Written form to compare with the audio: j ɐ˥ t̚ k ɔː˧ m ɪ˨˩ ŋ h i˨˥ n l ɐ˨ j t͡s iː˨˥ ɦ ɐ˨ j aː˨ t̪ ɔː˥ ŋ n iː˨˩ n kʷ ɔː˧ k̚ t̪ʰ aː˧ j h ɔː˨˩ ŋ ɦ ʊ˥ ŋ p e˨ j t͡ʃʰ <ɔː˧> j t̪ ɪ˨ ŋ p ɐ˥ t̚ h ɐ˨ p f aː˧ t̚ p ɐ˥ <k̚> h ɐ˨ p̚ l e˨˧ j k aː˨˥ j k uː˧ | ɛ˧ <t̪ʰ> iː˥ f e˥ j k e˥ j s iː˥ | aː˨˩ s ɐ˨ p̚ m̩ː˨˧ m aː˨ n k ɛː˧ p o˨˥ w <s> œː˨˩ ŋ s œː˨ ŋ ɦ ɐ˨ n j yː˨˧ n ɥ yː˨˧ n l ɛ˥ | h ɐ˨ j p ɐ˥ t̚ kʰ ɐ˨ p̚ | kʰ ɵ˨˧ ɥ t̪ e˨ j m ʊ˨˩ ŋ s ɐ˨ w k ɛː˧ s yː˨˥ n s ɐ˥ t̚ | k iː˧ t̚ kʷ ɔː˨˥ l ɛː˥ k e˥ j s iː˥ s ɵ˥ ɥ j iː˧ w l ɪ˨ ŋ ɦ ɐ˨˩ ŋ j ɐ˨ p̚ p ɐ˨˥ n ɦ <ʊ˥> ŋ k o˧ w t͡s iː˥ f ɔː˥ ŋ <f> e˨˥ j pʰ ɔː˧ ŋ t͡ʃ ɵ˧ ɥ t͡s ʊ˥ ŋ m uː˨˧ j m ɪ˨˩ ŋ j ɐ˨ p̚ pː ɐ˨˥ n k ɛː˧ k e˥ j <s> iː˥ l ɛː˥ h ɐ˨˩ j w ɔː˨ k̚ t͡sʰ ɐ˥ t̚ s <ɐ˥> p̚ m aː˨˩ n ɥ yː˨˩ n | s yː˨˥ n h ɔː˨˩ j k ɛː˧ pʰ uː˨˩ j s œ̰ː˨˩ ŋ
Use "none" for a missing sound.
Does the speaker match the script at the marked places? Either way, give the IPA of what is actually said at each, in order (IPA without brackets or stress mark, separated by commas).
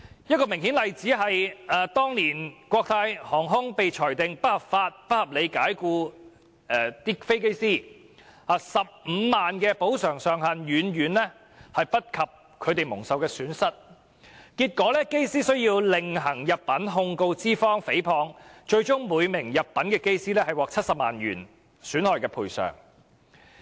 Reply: ɔː˨˩, t̚, t̪, s, ʊ˧, f, s, ɐ˨